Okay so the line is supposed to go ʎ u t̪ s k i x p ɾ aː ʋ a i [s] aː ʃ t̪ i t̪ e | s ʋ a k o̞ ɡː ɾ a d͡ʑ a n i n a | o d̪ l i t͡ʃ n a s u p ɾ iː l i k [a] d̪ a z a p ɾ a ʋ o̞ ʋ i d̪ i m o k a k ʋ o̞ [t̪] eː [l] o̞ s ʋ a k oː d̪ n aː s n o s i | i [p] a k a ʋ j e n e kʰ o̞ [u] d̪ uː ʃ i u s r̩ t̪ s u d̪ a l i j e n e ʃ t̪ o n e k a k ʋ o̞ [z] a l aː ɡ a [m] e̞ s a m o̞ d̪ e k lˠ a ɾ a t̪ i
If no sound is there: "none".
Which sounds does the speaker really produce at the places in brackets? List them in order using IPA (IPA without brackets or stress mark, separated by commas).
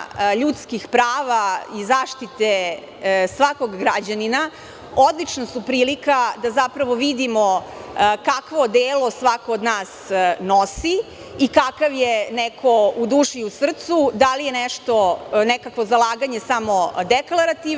z, a, d̪, l, k, u, z, ɲ